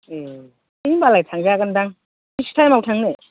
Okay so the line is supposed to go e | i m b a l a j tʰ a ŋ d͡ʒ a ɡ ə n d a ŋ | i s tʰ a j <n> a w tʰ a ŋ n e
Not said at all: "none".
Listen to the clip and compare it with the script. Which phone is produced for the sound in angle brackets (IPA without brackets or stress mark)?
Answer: m